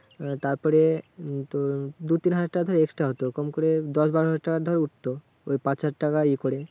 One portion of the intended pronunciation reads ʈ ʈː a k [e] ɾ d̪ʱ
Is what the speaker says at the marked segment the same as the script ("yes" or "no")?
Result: no